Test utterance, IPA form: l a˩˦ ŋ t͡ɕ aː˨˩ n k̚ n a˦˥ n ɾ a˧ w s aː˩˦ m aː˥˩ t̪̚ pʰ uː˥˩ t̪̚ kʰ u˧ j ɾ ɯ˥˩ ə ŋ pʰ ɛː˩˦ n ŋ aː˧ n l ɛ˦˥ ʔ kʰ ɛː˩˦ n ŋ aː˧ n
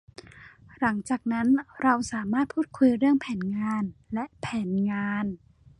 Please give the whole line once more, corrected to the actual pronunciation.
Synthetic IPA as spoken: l a˩˦ ŋ t͡ɕ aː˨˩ k̚ n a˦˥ n ɾ a˧ w s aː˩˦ m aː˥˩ t̪̚ pʰ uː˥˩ t̪̚ kʰ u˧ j ɾ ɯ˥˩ ə ŋ pʰ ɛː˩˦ n ŋ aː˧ n l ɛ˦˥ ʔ pʰ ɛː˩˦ n ŋ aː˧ n